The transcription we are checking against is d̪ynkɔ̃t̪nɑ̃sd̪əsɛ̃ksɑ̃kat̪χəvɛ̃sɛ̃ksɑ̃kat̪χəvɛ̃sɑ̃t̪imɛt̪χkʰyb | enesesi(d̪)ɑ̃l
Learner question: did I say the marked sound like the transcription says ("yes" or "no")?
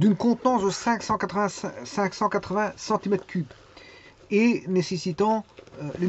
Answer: no